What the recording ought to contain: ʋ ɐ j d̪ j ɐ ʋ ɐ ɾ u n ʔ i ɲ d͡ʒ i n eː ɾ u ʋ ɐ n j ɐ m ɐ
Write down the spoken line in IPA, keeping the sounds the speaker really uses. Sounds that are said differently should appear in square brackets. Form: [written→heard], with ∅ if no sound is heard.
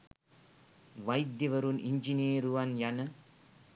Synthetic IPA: ʋ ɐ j d̪ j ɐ ʋ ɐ ɾ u n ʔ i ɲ d͡ʒ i n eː ɾ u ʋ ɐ n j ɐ [m→n] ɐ